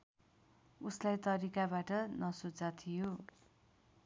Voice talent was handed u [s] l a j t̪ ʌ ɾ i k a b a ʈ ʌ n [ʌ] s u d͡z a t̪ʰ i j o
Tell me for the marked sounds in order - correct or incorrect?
correct, correct

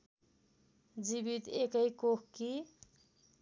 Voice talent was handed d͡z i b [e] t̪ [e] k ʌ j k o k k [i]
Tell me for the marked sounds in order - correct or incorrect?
incorrect, correct, correct

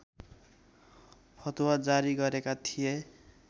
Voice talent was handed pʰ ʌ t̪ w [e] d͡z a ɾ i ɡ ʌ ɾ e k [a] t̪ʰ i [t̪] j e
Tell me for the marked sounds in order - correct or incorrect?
incorrect, correct, incorrect

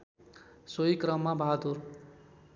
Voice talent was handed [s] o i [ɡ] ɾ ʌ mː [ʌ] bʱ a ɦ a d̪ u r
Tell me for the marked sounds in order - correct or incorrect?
correct, incorrect, incorrect

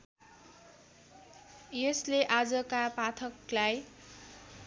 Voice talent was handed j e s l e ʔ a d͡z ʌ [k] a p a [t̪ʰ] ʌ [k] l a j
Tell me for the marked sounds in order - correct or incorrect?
correct, correct, correct

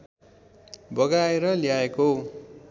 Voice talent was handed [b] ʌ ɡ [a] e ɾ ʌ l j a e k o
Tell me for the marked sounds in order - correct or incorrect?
correct, correct

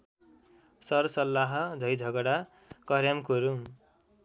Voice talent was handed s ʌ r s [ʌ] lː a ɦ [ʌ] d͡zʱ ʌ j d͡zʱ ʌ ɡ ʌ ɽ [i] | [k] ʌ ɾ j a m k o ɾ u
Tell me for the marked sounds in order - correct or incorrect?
correct, correct, incorrect, correct

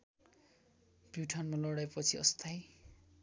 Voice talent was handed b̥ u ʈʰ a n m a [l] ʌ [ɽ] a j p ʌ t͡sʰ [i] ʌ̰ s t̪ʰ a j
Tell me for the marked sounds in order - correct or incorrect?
correct, correct, correct

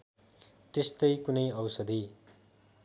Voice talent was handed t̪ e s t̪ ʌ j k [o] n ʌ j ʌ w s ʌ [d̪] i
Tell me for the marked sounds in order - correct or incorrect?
incorrect, correct

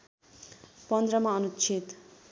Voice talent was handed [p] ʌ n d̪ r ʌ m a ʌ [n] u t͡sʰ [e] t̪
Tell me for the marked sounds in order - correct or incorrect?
correct, correct, incorrect

